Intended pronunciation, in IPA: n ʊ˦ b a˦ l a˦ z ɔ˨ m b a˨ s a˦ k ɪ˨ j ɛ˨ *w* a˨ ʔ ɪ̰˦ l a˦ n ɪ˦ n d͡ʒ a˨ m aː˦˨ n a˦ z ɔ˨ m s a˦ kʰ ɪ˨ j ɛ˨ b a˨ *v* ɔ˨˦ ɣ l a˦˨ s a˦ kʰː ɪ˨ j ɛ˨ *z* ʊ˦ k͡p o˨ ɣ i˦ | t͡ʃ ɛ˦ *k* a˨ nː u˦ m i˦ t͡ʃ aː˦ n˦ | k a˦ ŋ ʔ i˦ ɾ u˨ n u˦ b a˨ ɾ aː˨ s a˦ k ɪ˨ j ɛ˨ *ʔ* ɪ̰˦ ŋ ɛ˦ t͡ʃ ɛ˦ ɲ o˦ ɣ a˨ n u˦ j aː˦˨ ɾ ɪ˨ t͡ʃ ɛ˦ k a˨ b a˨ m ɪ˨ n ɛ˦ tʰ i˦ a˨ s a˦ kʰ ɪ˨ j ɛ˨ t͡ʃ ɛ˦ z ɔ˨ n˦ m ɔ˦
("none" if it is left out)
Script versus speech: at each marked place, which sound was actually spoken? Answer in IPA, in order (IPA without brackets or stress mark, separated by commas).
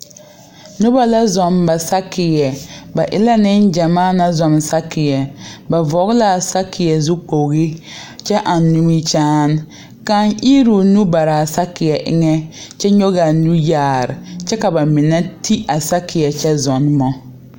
b, v, z, ʔ, ʔ